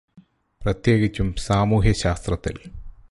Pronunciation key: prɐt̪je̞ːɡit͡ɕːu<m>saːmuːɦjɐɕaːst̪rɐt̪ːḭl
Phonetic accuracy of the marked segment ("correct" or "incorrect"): correct